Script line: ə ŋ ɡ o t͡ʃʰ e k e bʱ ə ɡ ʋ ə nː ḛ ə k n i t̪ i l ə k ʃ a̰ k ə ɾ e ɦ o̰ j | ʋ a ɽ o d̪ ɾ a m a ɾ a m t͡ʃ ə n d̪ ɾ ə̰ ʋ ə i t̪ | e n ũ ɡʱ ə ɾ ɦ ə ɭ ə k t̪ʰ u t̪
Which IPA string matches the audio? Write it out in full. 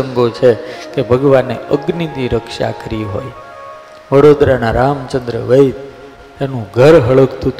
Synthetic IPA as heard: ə ŋ ɡ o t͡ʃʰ e k e bʱ ə ɡ ʋ a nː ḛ ə ɡ n i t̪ i ɾ ə k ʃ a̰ k ə ɾ i ɦ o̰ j | ʋ ə ɽ o d̪ ɾ a n a ɾ a m t͡ʃ ə n d̪ ɾ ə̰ ʋ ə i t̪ | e n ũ ɡʱ ə ɾ ɦ ə ɭ ə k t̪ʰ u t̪